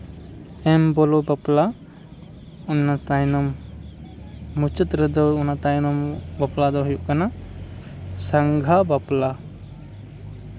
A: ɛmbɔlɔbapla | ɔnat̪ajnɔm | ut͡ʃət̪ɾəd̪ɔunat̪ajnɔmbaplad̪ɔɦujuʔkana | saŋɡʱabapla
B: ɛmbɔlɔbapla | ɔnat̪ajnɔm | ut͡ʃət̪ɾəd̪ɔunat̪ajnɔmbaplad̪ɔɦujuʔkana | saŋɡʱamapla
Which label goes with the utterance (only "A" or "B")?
A